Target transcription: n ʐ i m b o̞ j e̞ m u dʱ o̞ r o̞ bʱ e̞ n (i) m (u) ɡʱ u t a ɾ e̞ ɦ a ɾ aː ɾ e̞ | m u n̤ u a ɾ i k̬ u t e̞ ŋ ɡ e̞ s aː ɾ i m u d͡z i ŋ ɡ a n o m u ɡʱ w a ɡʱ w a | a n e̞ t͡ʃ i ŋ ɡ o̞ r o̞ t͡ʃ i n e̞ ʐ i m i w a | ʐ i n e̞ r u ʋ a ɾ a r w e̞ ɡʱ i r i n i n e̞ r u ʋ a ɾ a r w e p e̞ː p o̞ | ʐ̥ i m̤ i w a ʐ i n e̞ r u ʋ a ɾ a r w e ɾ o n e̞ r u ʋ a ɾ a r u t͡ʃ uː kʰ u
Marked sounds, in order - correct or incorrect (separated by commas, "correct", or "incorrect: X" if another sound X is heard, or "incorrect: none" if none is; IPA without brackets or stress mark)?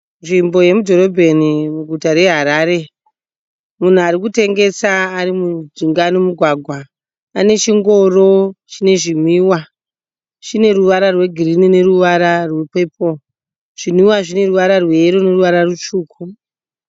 correct, correct